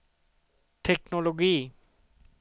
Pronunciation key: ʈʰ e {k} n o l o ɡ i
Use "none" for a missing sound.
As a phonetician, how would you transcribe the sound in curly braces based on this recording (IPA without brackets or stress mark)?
k